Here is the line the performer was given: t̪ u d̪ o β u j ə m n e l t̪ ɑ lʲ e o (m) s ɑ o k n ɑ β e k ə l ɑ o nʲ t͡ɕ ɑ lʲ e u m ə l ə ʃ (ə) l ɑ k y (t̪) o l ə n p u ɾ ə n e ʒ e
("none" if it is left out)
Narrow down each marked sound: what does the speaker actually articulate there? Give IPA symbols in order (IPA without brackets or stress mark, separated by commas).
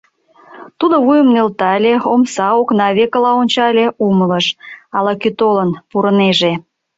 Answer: m, ɑ, t̪